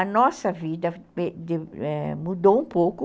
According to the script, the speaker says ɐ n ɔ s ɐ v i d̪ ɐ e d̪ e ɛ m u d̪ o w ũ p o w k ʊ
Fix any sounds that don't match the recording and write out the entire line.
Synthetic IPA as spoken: ɐ n ɔ s ɐ v i d̪ ɐ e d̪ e ɛ m u d̪ o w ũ p o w k ʊ